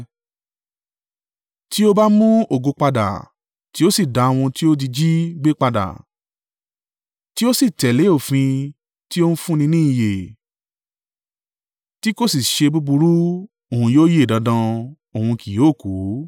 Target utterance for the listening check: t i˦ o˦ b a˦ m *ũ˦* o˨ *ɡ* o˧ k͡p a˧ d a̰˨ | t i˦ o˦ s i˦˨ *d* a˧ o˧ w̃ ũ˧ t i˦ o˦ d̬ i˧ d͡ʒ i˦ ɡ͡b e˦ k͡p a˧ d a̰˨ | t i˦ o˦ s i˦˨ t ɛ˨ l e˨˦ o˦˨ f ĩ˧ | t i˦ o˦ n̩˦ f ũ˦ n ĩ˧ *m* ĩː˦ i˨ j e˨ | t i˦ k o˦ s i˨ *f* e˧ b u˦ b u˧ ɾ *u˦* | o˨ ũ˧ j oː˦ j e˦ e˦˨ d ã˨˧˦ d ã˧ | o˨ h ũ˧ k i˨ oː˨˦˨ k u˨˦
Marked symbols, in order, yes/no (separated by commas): yes, yes, yes, no, no, yes